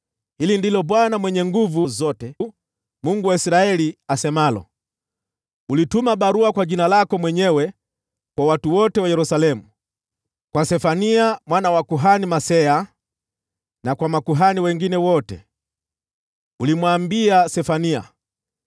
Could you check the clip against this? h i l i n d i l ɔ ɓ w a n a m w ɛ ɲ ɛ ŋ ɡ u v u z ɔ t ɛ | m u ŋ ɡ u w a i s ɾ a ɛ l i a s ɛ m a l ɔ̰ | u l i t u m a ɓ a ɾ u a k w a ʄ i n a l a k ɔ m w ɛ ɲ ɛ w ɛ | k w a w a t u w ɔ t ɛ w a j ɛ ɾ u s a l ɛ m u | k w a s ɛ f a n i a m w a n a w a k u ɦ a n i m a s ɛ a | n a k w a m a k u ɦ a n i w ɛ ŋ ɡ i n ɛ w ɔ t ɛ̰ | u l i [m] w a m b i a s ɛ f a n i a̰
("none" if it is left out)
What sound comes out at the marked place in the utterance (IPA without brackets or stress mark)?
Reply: m